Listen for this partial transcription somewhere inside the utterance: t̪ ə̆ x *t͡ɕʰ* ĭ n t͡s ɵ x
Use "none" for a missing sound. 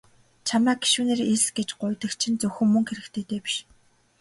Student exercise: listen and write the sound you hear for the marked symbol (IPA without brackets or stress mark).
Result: t͡ɕʰ